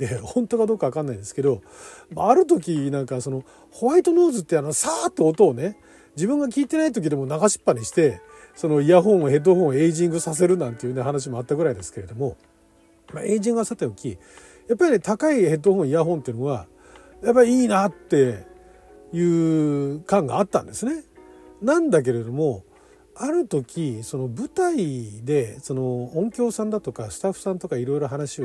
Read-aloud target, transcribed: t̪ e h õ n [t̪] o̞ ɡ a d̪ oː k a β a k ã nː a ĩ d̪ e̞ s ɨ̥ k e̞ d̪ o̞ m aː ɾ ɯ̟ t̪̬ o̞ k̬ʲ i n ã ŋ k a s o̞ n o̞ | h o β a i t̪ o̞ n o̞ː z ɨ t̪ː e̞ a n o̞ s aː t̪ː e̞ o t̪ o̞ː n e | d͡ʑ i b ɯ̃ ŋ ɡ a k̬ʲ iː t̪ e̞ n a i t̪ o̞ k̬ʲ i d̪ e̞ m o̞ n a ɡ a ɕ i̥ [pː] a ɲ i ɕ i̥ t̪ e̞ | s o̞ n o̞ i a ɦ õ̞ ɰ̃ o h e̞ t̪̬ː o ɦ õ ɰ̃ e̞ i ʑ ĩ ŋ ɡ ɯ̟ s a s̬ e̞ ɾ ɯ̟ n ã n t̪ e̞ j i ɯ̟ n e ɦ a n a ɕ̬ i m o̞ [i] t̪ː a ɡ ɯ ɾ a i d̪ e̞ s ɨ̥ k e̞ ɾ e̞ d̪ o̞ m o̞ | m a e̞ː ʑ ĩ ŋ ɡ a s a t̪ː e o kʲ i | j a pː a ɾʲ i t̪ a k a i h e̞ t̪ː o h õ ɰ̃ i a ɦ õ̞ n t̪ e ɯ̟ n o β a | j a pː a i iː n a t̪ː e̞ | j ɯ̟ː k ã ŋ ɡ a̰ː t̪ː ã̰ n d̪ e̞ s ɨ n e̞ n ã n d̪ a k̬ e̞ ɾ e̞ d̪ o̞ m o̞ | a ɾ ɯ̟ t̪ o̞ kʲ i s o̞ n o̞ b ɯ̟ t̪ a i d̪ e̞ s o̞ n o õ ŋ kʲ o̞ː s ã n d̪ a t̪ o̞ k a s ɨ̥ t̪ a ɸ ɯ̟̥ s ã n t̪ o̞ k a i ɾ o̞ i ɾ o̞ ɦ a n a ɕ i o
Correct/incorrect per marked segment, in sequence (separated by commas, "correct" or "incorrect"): correct, correct, incorrect